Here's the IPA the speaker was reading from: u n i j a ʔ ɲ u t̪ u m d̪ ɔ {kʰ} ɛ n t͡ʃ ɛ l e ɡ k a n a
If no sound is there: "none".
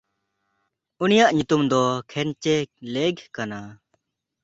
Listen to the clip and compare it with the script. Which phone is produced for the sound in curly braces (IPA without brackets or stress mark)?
kʰ